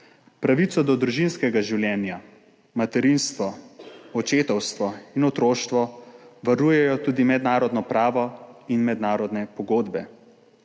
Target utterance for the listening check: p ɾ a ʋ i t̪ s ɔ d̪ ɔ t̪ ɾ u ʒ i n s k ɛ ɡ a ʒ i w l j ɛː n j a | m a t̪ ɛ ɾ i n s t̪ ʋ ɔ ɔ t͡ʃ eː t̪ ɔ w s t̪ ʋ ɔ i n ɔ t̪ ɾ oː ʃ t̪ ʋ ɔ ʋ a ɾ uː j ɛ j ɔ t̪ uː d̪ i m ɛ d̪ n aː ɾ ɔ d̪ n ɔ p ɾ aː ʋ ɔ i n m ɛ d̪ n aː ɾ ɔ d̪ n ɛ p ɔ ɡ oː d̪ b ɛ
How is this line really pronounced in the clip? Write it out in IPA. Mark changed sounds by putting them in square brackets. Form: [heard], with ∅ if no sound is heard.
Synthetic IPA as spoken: p ɾ a ʋ i t̪ s ɔ d̪ ɔ [d̪] ɾ u ʒ i n s k ɛ ɡ a ʒ i w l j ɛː n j a | m a t̪ ɛ ɾ i n s t̪ ʋ ɔ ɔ t͡ʃ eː t̪ ɔ w s t̪ ʋ ɔ i n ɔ t̪ ɾ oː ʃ t̪ ʋ ɔ ʋ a ɾ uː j ɛ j ɔ t̪ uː d̪ i m ɛ d̪ n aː ɾ ɔ d̪ n ɔ p ɾ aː ʋ ɔ i n m ɛ d̪ n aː ɾ ɔ d̪ n ɛ p ɔ ɡ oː d̪ b ɛ